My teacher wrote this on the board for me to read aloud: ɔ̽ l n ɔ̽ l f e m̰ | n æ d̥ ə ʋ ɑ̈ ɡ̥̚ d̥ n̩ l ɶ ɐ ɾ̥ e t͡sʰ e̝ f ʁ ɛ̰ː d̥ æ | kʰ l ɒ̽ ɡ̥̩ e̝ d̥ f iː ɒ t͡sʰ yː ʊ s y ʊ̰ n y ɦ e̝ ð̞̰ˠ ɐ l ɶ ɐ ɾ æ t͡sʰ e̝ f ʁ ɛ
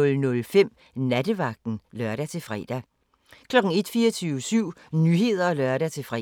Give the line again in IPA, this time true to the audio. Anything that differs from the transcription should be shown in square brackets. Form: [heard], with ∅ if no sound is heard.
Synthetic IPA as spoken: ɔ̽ l n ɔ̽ l f e m̰ | n æ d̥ ə ʋ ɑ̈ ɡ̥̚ d̥ n̩ l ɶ ɐ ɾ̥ [æ] t͡sʰ e̝ f ʁ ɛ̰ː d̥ æ | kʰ l ɒ̽ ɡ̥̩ e̝ d̥ f iː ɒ t͡sʰ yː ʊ s y ʊ̰ n y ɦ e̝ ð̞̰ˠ ɐ l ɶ ɐ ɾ æ t͡sʰ e̝ f ʁ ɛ